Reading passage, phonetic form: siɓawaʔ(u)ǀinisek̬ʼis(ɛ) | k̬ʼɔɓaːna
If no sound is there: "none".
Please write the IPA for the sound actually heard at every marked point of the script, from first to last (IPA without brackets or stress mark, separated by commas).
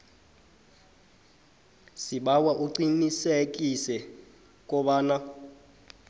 u, ɛ